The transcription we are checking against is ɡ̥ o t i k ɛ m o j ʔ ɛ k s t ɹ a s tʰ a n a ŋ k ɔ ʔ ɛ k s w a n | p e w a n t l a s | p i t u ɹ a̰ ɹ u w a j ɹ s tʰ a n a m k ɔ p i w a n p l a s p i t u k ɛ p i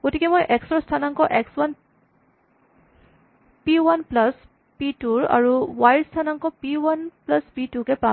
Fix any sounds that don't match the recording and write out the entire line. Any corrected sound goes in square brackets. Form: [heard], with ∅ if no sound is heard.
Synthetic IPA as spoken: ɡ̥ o t i k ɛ m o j ʔ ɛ k s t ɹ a s tʰ a n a ŋ k ɔ ʔ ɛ k s w a n | p [i] w a n [p] l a s | p i t u ɹ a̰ ɹ u w a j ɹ s tʰ a n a [ŋ] k ɔ p i w a n p l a s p i t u k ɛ p [a]